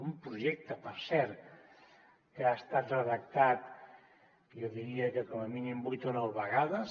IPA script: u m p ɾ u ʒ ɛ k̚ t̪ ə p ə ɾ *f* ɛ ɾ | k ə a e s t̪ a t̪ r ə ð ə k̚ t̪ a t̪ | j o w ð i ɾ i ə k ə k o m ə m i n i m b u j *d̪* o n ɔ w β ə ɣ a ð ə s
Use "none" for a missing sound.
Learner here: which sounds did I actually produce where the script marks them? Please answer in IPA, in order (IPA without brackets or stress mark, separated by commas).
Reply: s, t̪